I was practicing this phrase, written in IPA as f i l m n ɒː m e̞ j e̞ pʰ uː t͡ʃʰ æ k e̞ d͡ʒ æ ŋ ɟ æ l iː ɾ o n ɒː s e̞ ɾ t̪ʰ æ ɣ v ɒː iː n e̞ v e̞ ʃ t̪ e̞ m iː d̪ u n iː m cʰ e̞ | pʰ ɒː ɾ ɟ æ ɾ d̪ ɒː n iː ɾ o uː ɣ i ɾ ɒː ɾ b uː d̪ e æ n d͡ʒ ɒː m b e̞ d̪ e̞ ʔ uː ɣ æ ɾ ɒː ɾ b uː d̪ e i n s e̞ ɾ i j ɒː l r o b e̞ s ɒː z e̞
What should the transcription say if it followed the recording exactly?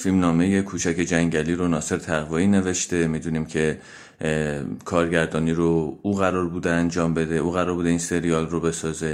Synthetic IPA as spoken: f i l m n ɒː m e̞ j e̞ kʰ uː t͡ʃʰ æ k e̞ d͡ʒ æ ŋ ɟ æ l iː ɾ o n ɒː s e̞ ɾ t̪ʰ æ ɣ v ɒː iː n e̞ v e̞ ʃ t̪ e̞ m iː d̪ u n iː m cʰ e̞ | kʰ ɒː ɾ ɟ æ ɾ d̪ ɒː n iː ɾ o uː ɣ æ ɾ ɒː ɾ b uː d̪ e æ n d͡ʒ ɒː m b e̞ d̪ e̞ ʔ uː ɣ æ ɾ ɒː ɾ b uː d̪ e i n s e̞ ɾ i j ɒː l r o b e̞ s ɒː z e̞